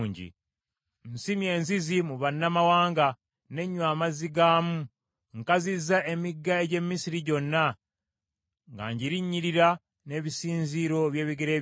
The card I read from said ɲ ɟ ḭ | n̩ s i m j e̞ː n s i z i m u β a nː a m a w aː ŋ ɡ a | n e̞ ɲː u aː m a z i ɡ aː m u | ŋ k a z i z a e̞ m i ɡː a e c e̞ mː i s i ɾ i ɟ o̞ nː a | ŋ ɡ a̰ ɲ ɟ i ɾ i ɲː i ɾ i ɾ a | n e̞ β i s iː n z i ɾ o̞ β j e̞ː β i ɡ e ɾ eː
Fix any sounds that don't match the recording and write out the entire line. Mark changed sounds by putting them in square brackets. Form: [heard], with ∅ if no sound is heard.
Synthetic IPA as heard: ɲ ɟ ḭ | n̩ s i m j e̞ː n [z] i z i m u β a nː a m a w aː ŋ ɡ a | n e̞ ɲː [w] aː m a z i ɡ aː m u | ŋ k a z i z a e̞ m i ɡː a e [ɟ] e̞ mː i s i ɾ i ɟ o̞ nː a | ŋ ɡ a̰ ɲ ɟ i ɾ i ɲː i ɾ i ɾ a | n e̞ β i s iː n z i ɾ o̞ β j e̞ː β i ɡ e ɾ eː